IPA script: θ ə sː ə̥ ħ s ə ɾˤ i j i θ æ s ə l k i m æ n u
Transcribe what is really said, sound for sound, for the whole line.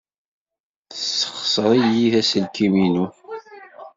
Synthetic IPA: θ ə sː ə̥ χ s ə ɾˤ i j i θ æ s ə l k i m i n u

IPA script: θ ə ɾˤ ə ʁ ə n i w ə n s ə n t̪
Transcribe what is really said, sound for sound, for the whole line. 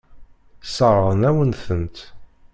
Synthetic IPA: s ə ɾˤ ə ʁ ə n æ w ə n θ ə n t̪

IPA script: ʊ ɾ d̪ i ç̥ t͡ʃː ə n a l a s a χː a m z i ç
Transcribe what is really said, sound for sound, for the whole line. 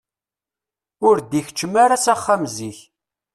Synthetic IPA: ʊ ɾ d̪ i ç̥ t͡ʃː ə m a ɾ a s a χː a m z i ç

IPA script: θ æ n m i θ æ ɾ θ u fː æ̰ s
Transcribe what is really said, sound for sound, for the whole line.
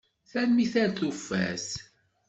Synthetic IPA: θ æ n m i θ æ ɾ θ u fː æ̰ s

